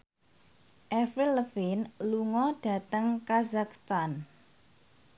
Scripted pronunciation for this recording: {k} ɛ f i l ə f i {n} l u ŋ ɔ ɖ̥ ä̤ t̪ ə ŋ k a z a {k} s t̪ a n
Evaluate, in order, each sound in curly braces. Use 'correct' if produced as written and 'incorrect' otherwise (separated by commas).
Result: incorrect, correct, correct